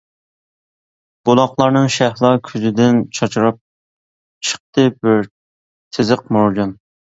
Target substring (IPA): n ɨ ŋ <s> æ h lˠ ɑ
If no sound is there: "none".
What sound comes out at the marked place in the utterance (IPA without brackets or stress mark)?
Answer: ʃ